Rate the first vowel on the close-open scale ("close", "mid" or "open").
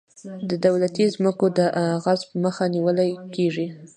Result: mid